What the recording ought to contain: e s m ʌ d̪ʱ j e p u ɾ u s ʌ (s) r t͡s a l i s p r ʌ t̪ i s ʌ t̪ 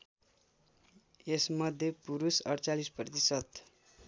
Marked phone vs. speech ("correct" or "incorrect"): incorrect